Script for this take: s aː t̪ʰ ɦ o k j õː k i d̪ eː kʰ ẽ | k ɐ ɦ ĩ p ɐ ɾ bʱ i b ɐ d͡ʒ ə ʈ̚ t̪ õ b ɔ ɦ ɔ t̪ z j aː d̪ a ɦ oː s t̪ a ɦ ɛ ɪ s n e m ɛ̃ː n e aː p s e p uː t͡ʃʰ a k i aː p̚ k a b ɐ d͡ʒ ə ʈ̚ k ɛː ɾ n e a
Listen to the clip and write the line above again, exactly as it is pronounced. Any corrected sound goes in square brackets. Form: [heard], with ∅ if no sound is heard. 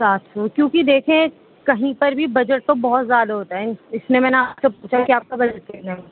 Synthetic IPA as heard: s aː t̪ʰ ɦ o k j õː k i d̪ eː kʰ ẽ | k ɐ ɦ ĩ p ɐ ɾ bʱ i b ɐ d͡ʒ ə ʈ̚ t̪ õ b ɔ ɦ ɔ t̪ z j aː d̪ a ɦ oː [∅] t̪ a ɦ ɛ ɪ s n e m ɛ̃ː n e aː p s e p uː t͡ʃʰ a k i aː p̚ k a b ɐ d͡ʒ ə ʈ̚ k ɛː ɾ n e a